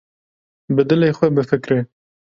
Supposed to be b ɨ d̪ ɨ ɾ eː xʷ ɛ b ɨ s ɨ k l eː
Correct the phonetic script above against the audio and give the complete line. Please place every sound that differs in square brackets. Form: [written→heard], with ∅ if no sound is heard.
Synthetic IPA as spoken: b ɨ d̪ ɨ [ɾ→l] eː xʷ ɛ b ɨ [s→f] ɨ k [l→ɾ] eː